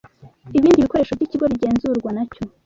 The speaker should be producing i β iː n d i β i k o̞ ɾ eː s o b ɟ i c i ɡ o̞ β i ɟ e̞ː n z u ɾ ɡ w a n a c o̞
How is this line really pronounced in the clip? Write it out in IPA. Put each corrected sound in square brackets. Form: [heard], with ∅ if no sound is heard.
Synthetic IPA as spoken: i β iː n d i β i k o̞ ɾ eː [ʃ] o [v] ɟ i c i ɡ o̞ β i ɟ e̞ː n z u ɾ ɡ w a n a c o̞